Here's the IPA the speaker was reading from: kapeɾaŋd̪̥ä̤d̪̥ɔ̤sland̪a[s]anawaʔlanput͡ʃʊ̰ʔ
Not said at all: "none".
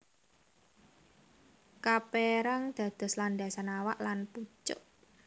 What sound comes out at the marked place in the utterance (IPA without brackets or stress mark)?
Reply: s